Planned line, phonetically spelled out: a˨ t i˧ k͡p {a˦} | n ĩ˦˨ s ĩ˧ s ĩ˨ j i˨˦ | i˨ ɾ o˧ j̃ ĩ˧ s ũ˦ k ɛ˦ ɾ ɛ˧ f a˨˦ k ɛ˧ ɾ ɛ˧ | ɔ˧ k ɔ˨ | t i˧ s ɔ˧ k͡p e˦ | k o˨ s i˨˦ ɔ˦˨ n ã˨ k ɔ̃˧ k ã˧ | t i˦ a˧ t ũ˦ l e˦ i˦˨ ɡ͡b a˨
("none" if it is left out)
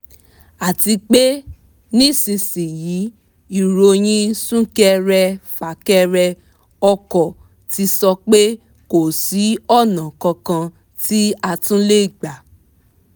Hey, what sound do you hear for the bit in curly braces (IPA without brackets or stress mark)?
e˦